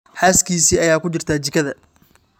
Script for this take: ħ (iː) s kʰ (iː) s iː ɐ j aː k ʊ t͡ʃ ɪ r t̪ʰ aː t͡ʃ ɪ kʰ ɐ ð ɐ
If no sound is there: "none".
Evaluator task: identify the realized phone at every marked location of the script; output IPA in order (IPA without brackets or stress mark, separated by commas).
aː, iː